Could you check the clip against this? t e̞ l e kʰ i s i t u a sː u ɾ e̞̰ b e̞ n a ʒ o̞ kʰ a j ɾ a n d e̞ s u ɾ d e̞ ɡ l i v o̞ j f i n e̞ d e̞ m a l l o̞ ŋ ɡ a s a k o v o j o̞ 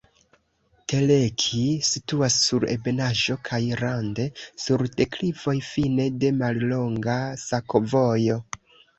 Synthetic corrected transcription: t e̞ l e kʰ i s i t u a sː u ɾ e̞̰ b e̞ n a ʒ o̞ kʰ a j ɾ a n d e̞ s u ɾ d e̞ k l i v o̞ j f i n e̞ d e̞ m a l l o̞ ŋ ɡ a s a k o v o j o̞